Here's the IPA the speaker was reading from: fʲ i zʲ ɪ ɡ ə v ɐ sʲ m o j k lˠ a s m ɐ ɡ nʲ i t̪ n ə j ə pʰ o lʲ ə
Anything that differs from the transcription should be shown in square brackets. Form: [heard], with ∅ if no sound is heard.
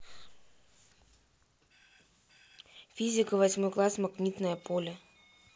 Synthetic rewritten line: fʲ i zʲ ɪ [k] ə v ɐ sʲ m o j k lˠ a s m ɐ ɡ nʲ i t̪ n ə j ə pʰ o lʲ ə